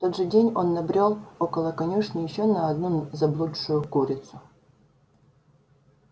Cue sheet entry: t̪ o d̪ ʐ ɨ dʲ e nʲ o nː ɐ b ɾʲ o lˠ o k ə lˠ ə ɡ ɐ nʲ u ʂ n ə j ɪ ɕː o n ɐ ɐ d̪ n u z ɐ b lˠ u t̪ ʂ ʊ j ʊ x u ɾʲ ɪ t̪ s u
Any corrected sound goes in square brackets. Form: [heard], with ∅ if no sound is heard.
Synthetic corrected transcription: t̪ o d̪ ʐ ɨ dʲ e nʲ o nː ɐ b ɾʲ o lˠ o k ə lˠ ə [k] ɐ nʲ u ʂ n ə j ɪ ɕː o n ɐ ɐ d̪ n u z ɐ b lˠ u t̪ ʂ ʊ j ʊ [k] u ɾʲ ɪ t̪ s [ʊ]